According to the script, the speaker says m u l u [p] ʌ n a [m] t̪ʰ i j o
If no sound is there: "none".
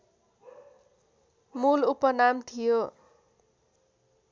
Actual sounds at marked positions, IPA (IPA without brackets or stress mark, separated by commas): p, m